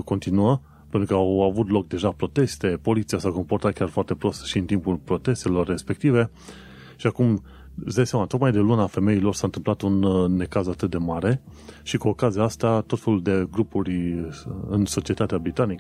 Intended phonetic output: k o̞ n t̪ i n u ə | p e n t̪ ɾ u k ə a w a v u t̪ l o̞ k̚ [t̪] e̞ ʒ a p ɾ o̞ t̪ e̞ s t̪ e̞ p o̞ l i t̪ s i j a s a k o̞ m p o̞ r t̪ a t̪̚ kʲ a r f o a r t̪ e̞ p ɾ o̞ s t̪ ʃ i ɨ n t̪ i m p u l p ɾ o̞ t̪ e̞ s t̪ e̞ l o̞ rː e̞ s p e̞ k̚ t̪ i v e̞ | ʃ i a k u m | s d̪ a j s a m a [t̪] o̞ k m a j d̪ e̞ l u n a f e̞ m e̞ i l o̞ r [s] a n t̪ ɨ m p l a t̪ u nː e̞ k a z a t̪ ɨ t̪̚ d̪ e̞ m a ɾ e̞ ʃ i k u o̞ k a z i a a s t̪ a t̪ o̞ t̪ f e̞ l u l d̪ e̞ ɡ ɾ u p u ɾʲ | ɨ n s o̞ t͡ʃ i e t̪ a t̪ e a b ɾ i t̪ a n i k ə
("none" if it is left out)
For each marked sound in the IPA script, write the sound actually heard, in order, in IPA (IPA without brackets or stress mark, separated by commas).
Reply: d̪, t̪, s